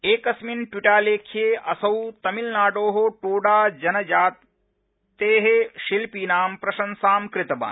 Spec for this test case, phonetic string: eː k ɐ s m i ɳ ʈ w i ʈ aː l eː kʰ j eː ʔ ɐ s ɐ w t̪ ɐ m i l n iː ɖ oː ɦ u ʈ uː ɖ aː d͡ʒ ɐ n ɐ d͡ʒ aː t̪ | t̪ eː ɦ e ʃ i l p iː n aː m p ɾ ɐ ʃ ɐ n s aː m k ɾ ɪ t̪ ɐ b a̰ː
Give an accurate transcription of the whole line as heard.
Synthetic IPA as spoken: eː k ɐ s m i n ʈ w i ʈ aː l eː kʰ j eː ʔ ɐ s ɐ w t̪ ɐ m i l n aː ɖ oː ɦ o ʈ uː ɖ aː d͡ʒ ɐ n ɐ d͡ʒ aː t̪ | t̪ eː ɦ e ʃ i l p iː n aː m p ɾ ɐ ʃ ɐ n s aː m k ɾ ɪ t̪ ɐ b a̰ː